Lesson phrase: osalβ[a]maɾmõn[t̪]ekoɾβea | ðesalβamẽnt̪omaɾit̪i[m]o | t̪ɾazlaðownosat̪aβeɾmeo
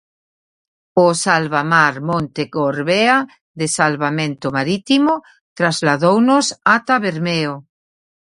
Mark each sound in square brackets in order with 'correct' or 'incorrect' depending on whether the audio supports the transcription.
correct, correct, correct

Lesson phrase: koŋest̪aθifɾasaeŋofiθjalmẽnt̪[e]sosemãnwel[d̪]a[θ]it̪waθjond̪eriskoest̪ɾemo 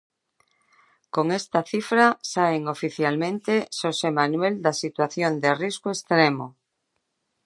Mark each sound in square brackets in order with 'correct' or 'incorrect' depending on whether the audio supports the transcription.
correct, correct, incorrect: s

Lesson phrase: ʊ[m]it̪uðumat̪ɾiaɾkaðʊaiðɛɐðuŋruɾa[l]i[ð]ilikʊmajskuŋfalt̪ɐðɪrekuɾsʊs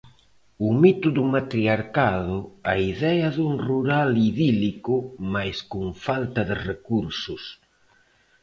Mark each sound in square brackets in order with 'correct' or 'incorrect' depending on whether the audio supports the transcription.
correct, correct, correct

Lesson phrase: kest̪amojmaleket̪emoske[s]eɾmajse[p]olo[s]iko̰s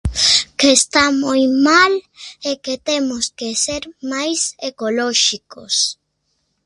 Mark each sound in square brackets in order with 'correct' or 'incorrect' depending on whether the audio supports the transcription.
correct, incorrect: k, incorrect: ʃ

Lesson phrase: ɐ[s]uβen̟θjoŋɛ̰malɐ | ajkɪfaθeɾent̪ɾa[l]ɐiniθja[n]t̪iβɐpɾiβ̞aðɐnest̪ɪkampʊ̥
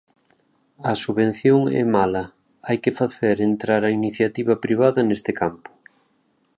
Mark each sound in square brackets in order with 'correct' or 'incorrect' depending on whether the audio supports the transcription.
correct, incorrect: ɾ, incorrect: none

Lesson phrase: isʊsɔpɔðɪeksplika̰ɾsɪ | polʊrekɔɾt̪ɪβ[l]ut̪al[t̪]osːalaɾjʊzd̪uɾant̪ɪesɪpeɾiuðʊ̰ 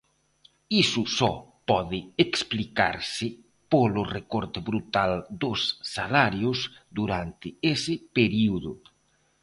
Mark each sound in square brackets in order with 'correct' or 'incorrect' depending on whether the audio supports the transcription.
incorrect: ɾ, incorrect: d̪

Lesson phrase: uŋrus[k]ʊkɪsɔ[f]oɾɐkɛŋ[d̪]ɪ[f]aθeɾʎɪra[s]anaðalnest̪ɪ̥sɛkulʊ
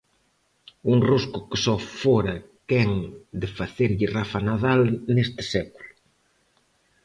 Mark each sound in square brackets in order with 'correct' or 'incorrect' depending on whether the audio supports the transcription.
correct, correct, correct, correct, incorrect: f

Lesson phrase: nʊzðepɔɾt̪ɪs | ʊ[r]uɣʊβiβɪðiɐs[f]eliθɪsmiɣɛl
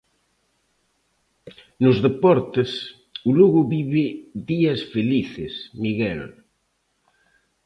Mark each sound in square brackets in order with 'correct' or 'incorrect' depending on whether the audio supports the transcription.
incorrect: l, correct

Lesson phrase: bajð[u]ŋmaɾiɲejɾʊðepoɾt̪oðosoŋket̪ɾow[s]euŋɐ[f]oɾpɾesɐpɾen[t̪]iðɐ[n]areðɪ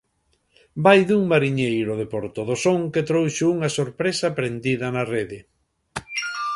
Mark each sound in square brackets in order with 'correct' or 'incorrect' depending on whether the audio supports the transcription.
correct, incorrect: ʃ, incorrect: s, incorrect: d̪, correct

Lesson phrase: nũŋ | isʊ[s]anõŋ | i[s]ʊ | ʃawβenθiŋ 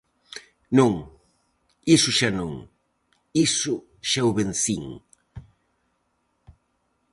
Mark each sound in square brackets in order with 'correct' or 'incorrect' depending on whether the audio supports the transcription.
incorrect: ʃ, correct

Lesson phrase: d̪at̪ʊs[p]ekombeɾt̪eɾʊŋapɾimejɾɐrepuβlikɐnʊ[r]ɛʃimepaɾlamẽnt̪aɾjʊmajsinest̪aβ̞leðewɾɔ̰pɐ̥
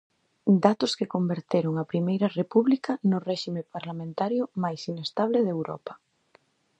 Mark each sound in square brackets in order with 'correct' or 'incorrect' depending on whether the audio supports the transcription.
incorrect: k, correct

